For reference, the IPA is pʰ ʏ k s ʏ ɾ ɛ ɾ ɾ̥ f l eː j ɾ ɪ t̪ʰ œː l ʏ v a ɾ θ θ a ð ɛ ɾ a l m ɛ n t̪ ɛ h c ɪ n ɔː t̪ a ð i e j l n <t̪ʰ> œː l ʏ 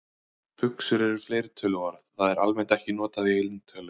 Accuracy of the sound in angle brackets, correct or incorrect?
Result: correct